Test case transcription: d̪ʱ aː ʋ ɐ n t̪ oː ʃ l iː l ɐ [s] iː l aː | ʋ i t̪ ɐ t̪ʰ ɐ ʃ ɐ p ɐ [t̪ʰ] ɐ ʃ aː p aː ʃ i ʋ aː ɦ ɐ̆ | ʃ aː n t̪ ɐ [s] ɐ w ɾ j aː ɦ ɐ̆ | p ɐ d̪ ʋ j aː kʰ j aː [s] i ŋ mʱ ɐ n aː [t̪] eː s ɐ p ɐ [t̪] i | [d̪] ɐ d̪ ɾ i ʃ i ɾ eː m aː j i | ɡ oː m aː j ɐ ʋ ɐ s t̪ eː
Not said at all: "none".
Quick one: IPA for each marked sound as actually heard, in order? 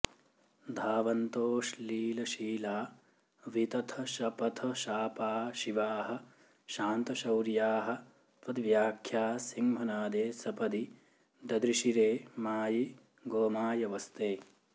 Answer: ʃ, t̪ʰ, ʃ, s, d̪, d̪, d̪

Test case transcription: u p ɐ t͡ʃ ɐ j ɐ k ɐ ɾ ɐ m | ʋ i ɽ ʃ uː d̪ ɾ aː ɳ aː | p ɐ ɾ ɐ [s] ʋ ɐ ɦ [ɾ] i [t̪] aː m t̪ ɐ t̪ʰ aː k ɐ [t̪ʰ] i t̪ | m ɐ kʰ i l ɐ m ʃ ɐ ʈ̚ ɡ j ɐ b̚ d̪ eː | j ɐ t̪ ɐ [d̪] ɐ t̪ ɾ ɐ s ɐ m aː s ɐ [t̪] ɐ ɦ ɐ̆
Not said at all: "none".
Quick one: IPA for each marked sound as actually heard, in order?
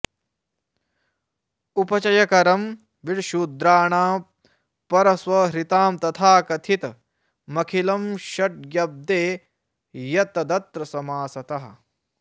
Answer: s, ɾ, t̪, t̪ʰ, d̪, t̪

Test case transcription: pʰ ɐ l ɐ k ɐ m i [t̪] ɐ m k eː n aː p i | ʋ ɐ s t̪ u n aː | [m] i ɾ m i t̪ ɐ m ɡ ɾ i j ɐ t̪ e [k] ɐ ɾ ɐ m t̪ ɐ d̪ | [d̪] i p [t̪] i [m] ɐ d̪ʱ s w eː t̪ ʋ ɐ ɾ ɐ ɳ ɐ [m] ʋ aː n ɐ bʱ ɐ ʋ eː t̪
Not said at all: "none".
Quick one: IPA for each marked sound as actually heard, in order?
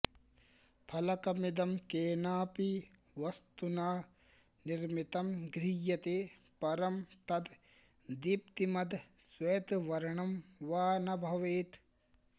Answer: d̪, n, p, d̪, t̪, m, m

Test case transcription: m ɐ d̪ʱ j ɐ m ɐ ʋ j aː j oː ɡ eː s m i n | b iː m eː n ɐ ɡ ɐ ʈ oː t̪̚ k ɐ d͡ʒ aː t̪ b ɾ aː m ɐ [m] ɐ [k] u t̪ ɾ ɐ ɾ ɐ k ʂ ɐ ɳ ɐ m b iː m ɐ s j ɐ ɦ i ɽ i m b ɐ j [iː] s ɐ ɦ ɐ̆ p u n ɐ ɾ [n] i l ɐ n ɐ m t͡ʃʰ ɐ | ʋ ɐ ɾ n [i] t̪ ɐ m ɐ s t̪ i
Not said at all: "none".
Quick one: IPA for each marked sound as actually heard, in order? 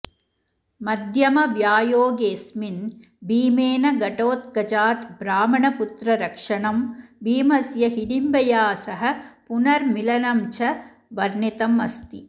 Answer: ɳ, p, aː, m, i

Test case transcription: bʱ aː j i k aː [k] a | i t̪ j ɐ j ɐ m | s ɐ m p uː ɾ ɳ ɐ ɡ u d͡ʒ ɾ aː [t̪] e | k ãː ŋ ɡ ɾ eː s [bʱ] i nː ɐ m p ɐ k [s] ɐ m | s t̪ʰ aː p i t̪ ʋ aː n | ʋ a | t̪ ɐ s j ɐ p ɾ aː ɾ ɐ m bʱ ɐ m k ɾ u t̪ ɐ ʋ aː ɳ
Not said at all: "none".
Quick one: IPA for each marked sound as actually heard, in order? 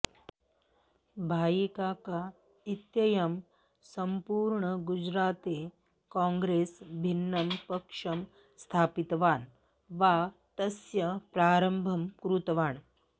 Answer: k, t̪, bʱ, ʂ

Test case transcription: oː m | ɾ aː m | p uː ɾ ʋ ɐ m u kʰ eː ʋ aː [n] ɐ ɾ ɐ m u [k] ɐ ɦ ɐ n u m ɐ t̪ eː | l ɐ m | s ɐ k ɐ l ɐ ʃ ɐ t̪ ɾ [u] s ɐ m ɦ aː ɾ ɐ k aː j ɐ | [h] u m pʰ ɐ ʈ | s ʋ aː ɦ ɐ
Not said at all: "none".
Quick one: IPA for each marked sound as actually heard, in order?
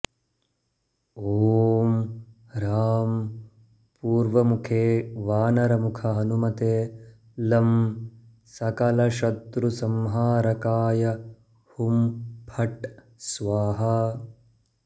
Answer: n, kʰ, u, h

